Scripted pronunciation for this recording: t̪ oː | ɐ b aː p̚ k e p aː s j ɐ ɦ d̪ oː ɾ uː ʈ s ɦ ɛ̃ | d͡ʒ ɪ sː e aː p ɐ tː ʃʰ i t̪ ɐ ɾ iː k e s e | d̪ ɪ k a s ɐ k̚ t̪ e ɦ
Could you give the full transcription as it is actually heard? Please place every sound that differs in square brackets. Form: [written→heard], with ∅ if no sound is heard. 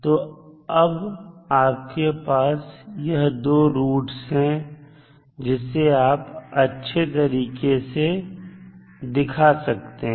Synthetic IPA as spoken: t̪ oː | ɐ b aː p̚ k e p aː s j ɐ ɦ d̪ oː ɾ uː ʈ s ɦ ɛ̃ | d͡ʒ ɪ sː e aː p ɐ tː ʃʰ [i→e] t̪ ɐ ɾ iː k e s e | d̪ ɪ [k→kʰ] a s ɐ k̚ t̪ e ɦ